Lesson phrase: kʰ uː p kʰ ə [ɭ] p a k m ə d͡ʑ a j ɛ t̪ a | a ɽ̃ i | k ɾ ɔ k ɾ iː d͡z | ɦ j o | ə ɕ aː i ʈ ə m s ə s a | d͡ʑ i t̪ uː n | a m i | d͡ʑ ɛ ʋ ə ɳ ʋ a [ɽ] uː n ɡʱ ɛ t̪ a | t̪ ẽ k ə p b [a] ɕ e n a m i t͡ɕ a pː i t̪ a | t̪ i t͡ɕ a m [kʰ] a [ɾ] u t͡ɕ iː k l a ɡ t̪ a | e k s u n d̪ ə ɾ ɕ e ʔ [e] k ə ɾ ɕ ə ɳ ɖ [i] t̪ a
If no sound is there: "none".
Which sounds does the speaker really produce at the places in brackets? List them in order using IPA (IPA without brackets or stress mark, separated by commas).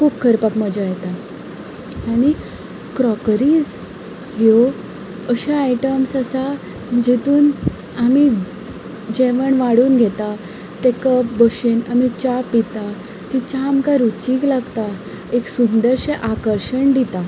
ɾ, ɽ, ə, k, ɾ, a, i